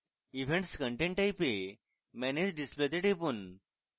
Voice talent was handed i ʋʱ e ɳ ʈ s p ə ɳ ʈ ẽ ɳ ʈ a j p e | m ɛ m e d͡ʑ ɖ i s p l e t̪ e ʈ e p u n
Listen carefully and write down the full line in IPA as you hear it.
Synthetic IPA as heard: i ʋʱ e ɳ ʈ s k ə ɳ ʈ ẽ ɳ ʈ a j p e | m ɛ n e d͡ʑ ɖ i s p l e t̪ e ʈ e p u n